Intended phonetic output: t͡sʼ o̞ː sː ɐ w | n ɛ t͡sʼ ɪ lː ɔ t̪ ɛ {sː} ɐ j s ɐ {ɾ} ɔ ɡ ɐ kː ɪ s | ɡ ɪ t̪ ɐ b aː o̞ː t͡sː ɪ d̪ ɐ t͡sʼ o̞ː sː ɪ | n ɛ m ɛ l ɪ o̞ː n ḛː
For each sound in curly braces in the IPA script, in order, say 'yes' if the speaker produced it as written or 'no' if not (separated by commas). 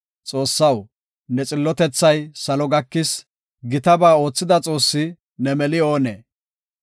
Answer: no, no